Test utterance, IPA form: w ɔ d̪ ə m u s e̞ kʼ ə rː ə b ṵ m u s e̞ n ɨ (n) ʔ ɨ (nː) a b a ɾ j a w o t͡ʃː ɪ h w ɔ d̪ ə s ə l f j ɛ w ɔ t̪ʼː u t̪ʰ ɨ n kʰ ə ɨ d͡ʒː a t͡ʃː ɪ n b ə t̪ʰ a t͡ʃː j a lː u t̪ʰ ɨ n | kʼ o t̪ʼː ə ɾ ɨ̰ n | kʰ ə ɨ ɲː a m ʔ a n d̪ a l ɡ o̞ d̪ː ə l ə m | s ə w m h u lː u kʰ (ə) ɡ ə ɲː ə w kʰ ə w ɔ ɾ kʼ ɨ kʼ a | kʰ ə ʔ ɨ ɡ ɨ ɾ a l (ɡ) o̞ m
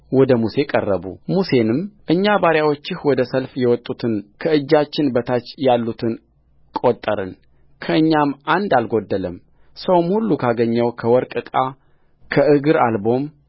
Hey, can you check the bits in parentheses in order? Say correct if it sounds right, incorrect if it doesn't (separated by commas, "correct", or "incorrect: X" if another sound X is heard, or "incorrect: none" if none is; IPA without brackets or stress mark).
incorrect: m, incorrect: ɲː, incorrect: a, incorrect: b